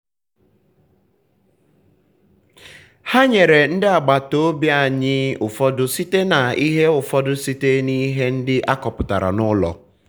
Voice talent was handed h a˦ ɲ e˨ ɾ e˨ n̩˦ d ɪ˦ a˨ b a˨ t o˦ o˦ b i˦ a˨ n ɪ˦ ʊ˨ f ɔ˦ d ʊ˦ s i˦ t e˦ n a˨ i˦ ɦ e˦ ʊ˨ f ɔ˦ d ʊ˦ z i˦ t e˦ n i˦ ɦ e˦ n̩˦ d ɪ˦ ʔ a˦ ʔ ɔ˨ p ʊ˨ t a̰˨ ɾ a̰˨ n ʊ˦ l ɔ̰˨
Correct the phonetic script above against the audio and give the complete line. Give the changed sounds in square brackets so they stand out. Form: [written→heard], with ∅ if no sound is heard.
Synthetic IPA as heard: h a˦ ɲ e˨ ɾ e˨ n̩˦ d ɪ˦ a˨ [b→ɡ͡b] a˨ t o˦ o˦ b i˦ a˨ [n→ɲ] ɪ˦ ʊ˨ f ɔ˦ d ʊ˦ s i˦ t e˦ n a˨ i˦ ɦ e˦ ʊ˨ f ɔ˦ d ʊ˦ [z→s] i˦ t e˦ n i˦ ɦ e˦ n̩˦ d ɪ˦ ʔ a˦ [ʔ→k] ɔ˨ p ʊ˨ t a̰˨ ɾ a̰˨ n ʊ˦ l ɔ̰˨